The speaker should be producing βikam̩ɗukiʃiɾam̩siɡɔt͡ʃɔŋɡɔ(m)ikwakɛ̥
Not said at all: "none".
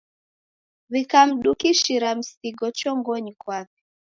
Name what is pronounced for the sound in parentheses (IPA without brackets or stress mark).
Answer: ɲ